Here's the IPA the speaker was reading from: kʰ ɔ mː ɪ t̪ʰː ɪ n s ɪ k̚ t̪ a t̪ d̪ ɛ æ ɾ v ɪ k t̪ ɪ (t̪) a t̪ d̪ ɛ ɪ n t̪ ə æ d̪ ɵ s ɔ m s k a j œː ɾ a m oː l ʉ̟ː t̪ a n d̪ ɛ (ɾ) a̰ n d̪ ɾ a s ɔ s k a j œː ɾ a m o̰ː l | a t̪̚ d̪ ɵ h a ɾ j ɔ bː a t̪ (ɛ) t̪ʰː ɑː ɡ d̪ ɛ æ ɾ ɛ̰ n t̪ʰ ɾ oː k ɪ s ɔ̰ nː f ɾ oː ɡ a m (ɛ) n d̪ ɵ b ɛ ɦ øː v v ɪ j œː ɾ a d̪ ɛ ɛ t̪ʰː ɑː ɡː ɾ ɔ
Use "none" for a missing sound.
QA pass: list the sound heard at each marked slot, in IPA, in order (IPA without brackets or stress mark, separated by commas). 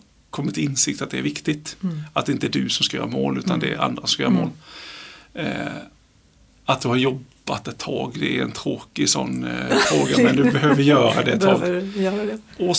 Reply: t̪, ɾ, ɛ, ɛ